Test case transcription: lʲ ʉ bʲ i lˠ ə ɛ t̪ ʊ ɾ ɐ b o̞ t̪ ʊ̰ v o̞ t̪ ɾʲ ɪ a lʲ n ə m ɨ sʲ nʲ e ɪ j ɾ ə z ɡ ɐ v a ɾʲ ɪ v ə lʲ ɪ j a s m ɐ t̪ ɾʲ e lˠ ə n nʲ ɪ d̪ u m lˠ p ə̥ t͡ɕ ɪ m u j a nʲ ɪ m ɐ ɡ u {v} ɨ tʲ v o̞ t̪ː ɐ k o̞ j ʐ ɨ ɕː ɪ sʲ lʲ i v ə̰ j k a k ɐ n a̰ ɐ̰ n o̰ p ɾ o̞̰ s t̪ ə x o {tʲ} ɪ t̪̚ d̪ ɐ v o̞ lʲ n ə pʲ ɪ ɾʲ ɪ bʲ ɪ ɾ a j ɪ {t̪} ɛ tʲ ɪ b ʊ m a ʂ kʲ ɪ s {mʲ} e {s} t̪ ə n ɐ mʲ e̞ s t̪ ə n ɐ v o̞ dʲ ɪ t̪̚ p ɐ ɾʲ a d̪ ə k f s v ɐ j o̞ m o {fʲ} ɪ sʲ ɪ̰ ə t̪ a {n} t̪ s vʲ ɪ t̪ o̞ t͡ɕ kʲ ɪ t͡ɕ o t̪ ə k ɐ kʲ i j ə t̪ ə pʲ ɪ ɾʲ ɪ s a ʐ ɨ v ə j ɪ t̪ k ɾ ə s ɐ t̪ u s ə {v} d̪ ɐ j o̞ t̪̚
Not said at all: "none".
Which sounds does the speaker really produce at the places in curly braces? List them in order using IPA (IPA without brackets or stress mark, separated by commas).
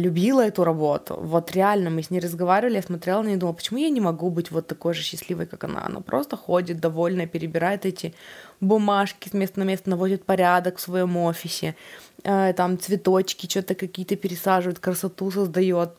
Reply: b, dʲ, t̪, mʲ, s, fʲ, m, z